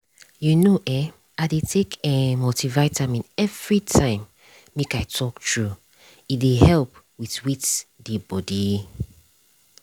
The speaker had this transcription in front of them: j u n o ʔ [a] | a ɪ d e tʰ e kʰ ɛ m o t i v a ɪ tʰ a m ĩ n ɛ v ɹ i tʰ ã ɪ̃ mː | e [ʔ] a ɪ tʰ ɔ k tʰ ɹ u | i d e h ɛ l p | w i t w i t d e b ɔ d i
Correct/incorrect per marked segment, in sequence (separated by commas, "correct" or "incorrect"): incorrect, incorrect